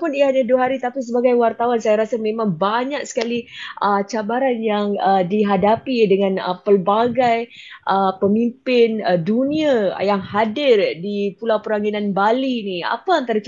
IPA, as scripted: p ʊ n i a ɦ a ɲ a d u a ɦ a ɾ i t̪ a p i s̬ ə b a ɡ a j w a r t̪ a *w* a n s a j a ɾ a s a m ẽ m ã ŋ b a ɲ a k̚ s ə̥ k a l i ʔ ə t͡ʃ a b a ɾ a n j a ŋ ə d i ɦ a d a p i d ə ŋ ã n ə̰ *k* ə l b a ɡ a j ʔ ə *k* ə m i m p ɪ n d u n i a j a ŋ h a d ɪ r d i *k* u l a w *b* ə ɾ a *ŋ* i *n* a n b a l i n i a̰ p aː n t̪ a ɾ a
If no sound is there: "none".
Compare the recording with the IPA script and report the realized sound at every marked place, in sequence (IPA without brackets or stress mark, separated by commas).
w, p, p, p, p, ŋ, n